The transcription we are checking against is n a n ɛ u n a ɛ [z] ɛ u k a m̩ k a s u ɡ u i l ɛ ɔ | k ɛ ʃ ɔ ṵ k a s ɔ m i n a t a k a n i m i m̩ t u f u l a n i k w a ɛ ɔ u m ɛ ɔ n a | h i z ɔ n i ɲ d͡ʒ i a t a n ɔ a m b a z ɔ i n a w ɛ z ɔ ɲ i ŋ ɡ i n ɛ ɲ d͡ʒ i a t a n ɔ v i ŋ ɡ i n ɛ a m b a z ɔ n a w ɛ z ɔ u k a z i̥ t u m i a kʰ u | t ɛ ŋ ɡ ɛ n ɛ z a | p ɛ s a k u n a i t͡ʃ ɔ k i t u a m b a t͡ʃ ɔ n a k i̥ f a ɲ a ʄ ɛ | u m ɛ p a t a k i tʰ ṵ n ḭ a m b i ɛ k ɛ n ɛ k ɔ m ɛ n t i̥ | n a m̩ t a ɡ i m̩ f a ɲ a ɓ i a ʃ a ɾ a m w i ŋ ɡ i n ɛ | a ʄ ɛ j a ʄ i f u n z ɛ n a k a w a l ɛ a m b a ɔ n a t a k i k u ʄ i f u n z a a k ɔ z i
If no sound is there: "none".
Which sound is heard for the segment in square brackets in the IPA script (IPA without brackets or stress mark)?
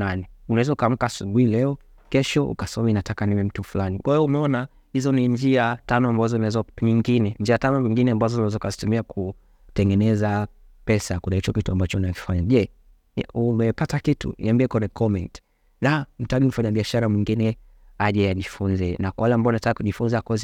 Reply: z